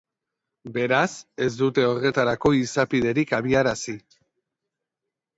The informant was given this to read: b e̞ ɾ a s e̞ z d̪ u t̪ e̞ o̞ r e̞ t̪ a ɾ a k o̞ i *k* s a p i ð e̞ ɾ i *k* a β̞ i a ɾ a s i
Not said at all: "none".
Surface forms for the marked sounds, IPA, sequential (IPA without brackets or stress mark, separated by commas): none, k